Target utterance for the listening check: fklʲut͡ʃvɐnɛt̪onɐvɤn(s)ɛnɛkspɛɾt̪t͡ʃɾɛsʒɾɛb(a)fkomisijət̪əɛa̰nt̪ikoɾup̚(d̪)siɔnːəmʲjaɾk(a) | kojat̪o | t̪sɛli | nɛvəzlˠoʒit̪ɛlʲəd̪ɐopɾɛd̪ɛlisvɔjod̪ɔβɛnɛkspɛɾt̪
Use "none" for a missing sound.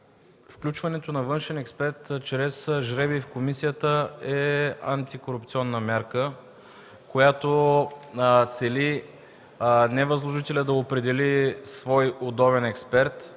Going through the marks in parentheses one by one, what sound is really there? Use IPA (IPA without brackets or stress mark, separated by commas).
ʃ, i, t̪, ə